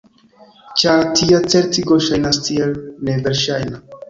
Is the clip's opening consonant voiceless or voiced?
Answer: voiceless